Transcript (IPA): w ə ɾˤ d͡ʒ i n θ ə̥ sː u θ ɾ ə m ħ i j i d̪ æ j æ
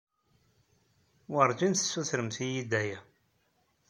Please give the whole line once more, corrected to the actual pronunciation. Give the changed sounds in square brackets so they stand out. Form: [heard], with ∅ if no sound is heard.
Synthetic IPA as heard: w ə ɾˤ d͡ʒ i n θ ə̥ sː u θ ɾ ə m [θ] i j i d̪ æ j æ